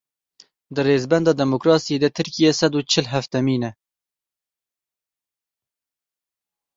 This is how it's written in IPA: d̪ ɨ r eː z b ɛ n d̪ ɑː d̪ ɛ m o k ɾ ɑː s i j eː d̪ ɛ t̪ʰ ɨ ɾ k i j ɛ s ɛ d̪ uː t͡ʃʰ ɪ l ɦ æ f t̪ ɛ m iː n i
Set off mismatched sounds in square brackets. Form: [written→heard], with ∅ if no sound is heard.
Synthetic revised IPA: d̪ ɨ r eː z b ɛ n d̪ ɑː d̪ ɛ m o k ɾ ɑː s i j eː d̪ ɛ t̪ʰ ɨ ɾ k i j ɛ s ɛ d̪ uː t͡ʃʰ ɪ l ɦ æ f t̪ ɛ m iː n [i→ɛ]